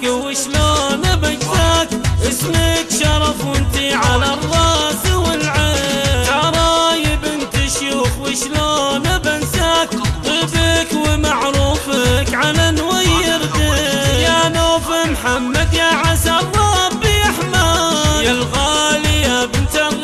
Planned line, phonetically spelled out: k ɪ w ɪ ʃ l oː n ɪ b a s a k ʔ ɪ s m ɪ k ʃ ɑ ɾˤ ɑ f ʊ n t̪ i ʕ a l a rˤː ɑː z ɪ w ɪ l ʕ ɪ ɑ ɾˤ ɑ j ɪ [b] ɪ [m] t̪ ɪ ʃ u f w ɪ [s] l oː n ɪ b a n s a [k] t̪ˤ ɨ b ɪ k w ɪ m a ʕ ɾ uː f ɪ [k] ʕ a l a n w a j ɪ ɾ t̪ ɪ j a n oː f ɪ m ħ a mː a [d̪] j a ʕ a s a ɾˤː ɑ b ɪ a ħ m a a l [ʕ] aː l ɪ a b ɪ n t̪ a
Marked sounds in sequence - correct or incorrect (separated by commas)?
correct, incorrect, incorrect, correct, correct, correct, incorrect